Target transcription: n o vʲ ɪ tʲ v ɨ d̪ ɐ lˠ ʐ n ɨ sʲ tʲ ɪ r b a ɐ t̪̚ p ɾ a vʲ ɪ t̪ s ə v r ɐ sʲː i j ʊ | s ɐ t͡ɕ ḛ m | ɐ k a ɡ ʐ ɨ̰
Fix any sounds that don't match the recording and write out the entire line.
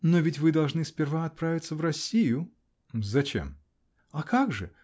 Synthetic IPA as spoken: n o vʲ ɪ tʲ v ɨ d̪ ɐ lˠ ʐ n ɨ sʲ pʲ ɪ r v a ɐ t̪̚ p ɾ a vʲ ɪ t̪ s ə v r ɐ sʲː i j ʊ | z ɐ t͡ɕ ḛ m | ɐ k a ɡ ʐ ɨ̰